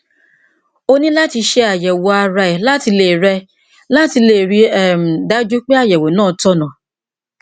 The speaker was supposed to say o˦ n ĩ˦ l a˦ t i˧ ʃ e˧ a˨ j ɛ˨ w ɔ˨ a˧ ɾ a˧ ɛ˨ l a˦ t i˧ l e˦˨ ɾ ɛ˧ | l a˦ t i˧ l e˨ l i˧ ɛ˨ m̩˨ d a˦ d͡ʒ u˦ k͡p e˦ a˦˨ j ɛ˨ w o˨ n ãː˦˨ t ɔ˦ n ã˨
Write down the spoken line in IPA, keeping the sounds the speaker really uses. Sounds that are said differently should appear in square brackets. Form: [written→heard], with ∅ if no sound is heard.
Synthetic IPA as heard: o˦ n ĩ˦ l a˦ t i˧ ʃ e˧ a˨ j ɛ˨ w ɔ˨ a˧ ɾ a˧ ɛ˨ l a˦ t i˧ l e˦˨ ɾ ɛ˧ | l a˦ t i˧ l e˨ [l→ɾ] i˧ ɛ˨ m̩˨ d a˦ d͡ʒ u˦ k͡p e˦ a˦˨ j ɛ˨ w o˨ n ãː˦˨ t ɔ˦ n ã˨